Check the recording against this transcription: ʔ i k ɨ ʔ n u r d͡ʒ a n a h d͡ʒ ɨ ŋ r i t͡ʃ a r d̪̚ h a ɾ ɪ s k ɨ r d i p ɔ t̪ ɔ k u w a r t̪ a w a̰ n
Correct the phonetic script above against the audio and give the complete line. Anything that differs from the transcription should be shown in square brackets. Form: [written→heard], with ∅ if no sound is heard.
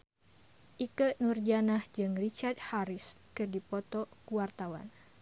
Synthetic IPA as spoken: ʔ i k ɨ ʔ n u r d͡ʒ a n a h d͡ʒ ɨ ŋ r i t͡ʃ a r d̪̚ h a ɾ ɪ s k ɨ r d i p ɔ t̪ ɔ k u w a r t̪ a w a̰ n